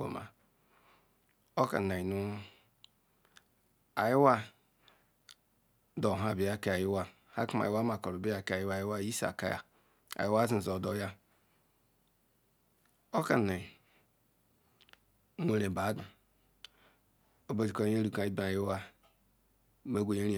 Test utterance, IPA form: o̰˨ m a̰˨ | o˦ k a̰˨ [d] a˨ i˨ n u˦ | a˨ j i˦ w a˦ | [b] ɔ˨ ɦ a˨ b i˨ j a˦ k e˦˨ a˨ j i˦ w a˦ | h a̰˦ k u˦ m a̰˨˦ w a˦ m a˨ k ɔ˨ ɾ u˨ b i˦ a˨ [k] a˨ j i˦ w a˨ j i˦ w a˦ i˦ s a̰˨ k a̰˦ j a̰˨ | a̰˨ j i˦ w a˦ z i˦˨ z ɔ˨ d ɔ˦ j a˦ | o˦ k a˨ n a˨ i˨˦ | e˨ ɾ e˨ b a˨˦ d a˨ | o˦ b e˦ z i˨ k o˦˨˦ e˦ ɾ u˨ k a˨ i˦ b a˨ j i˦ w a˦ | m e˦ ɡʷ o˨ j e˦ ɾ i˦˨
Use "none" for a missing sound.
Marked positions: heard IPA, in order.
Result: n, d, k

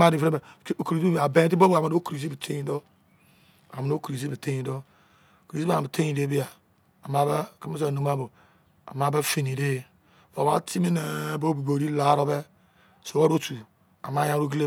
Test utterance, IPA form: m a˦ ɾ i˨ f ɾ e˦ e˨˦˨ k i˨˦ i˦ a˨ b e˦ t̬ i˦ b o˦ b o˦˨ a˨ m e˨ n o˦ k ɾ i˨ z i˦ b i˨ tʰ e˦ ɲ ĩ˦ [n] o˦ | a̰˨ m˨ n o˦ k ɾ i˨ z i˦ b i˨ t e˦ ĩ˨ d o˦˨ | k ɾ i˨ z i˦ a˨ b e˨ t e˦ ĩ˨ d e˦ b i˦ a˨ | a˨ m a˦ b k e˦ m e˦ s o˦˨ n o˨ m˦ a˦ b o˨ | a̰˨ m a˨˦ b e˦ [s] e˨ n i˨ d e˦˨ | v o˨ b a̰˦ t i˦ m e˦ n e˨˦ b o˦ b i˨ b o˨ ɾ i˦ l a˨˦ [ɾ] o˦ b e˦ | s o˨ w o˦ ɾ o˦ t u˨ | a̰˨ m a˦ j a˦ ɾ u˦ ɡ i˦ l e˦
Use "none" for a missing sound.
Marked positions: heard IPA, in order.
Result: d, f, ɾ

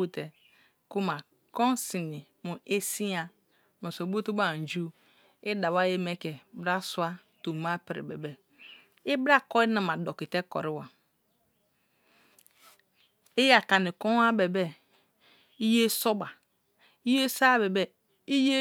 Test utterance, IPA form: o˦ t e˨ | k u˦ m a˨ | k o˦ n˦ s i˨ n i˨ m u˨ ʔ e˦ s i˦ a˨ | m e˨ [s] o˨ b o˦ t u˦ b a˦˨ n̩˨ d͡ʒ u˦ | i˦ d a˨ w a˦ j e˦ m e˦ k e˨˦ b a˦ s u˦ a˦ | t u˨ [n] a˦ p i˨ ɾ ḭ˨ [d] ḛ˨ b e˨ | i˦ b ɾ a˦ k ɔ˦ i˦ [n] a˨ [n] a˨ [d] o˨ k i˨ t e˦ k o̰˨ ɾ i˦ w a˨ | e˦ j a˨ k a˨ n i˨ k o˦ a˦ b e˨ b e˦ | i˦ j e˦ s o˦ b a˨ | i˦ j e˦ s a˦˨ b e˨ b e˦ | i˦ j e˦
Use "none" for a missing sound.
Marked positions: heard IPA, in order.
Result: s, m, b, n, m, d

